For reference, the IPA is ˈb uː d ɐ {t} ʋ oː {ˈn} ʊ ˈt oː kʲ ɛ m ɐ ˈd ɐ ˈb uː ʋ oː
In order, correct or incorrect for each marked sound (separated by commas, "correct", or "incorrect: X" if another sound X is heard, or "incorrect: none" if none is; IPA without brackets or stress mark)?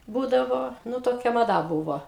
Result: incorrect: none, correct